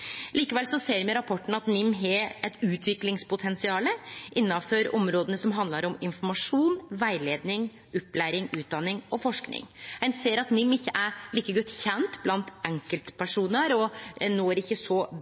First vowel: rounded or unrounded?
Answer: unrounded